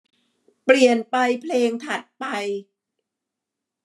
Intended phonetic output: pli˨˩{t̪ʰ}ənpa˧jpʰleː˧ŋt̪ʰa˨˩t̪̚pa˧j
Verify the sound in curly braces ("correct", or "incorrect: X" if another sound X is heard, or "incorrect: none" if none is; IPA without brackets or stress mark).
incorrect: none